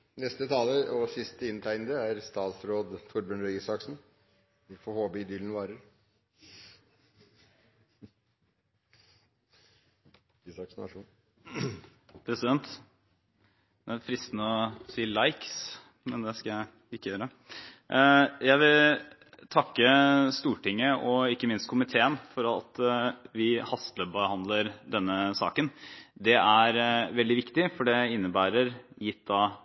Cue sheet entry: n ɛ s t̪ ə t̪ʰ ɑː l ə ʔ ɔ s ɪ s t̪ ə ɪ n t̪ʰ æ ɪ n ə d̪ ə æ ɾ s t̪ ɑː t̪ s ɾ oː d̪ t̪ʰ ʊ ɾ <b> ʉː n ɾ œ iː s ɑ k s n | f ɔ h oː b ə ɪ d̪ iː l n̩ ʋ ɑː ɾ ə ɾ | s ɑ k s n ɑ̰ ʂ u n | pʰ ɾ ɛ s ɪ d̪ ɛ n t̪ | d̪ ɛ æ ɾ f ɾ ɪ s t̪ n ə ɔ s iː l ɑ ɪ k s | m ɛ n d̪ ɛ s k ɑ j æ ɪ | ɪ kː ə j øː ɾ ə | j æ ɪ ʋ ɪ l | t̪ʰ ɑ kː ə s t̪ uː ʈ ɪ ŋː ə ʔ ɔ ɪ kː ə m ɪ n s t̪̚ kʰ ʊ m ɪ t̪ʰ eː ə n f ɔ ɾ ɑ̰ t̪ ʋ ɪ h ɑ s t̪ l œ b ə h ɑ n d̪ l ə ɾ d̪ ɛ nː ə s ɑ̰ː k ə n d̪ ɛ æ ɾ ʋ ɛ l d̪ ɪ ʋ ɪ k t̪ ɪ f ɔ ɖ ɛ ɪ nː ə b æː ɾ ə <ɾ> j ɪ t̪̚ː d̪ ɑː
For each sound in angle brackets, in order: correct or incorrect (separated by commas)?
correct, correct